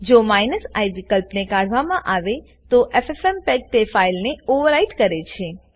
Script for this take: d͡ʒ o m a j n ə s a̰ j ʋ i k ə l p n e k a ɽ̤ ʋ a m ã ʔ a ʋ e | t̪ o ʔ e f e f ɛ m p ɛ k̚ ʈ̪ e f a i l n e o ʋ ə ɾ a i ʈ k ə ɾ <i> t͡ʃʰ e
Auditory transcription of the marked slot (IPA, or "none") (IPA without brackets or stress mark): e